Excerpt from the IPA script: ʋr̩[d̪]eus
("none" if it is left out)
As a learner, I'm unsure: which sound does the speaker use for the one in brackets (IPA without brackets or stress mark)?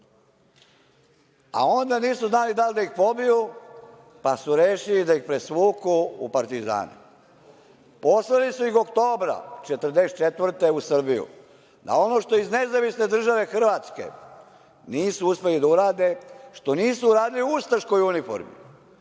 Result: t̪